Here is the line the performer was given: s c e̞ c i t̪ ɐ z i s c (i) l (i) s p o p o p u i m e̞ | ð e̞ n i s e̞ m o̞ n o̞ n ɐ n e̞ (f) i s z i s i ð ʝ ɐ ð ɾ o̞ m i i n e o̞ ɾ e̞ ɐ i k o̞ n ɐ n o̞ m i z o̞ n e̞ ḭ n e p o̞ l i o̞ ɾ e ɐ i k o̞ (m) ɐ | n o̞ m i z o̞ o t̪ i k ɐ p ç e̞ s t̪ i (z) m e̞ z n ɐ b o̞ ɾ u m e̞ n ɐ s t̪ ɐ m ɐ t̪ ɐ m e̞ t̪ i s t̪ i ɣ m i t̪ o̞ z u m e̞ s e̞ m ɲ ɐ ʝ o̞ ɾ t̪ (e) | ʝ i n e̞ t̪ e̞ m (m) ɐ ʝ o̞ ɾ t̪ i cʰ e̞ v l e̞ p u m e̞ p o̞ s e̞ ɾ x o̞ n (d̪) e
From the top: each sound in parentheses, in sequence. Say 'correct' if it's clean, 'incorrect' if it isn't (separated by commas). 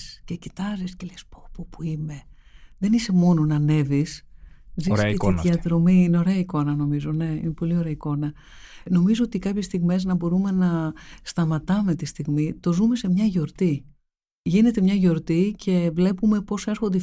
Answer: incorrect, incorrect, incorrect, incorrect, incorrect, incorrect, incorrect, correct